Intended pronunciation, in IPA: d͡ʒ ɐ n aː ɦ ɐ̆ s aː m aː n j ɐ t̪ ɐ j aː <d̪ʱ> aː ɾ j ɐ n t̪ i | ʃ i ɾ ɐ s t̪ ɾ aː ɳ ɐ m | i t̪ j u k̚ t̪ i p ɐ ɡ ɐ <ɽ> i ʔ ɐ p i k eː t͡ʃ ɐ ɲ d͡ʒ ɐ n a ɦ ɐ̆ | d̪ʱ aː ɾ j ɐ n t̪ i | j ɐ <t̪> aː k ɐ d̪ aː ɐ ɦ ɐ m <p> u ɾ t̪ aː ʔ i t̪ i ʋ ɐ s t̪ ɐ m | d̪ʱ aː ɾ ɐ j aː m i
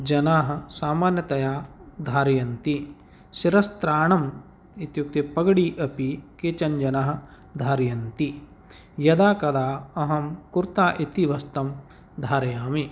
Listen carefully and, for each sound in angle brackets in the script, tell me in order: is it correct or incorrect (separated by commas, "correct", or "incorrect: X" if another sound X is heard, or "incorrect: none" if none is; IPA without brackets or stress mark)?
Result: correct, correct, incorrect: d̪, incorrect: k